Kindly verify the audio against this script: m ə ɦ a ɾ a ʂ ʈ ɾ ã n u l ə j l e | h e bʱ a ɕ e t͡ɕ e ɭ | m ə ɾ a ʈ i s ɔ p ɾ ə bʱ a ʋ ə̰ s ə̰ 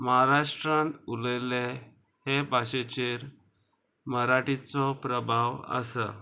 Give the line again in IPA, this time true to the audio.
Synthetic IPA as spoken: m ə ɦ a ɾ a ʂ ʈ ɾ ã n u l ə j l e | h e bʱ a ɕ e t͡ɕ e ɾ | m ə ɾ a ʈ i t͡s ɔ p ɾ ə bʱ a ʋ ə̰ s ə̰